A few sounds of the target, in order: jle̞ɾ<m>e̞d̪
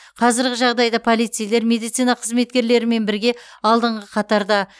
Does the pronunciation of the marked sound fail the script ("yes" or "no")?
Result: no